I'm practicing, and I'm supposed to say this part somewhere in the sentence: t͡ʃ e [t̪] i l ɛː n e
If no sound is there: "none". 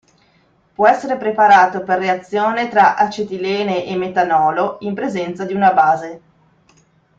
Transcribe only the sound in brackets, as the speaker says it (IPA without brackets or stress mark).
t̪